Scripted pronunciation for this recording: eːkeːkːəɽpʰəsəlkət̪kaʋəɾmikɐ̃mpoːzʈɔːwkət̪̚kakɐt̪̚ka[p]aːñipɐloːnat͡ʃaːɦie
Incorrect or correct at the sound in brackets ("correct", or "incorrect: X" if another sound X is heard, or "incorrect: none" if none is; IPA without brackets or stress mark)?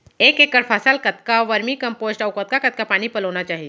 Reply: correct